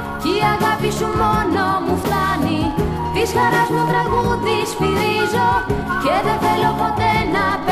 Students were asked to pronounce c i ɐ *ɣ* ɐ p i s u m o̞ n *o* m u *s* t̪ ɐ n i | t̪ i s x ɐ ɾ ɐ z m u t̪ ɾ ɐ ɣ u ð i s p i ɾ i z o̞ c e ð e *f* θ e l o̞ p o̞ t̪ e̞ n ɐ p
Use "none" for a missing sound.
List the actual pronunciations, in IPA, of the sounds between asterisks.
ɣ, o, f, none

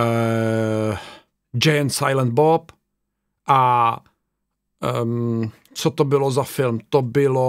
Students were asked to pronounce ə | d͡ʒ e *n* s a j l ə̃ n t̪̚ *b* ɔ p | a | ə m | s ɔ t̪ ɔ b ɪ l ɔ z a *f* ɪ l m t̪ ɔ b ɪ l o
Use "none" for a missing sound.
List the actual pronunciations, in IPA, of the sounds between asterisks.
n, b, f

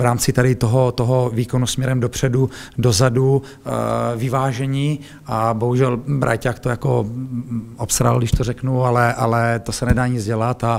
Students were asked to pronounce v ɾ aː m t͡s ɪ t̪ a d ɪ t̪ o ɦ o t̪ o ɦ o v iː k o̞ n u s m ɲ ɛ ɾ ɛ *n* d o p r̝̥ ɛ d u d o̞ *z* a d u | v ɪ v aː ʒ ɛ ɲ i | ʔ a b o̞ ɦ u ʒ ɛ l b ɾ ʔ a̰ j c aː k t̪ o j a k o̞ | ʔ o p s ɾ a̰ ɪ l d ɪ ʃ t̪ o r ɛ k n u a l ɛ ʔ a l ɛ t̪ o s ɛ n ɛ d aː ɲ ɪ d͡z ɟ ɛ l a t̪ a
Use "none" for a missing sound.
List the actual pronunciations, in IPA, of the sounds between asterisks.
m, z

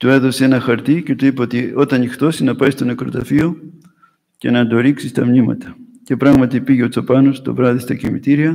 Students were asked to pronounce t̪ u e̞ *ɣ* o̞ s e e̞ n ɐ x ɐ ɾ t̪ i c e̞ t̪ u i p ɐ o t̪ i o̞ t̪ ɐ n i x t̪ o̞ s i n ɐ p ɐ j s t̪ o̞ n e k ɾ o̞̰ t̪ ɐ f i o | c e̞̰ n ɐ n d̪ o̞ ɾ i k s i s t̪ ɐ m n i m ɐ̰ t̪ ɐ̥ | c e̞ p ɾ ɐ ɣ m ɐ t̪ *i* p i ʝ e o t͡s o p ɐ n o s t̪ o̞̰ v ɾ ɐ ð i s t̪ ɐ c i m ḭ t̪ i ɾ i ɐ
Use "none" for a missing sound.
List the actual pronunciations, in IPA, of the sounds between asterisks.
ð, i

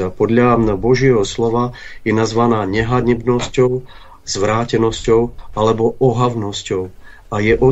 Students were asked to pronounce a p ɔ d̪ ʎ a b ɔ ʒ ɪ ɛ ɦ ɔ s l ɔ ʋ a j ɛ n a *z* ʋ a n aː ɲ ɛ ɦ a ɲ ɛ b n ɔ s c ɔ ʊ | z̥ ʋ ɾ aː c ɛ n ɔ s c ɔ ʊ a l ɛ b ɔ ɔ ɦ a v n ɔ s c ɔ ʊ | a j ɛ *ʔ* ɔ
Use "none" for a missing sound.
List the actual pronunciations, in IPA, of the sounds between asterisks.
z, ʔ

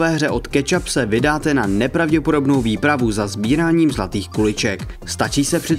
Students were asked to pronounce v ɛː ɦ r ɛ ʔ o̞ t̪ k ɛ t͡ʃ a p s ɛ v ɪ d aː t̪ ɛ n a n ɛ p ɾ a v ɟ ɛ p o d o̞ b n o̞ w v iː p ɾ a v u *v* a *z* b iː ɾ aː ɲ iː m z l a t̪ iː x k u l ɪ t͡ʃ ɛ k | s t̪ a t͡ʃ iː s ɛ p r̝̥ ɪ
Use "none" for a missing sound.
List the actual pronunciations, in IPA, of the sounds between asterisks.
z, z

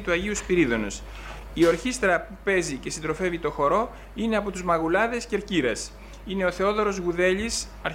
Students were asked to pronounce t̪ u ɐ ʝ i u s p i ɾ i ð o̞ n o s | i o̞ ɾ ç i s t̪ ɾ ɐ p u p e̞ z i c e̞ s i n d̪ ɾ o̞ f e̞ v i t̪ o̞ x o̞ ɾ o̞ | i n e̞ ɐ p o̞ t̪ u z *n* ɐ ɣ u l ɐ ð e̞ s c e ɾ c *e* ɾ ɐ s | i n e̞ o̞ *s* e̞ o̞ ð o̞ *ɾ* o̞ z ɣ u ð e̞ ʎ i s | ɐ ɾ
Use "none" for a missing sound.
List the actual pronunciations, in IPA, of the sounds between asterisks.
m, i, θ, ɾ

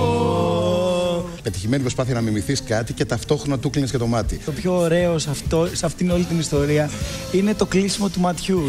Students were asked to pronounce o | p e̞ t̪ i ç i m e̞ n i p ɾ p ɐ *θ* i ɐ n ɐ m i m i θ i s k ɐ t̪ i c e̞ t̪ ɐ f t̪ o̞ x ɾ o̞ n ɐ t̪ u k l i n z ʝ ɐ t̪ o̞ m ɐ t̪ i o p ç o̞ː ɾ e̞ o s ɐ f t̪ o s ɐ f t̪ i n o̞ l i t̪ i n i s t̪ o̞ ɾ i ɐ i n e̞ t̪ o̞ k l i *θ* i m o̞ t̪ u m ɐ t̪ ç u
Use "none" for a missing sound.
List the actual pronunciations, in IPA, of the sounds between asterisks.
θ, s

